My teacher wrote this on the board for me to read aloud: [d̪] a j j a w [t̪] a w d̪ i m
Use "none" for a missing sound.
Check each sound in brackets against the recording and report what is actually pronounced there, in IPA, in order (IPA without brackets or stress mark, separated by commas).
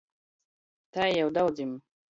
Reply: t̪, d̪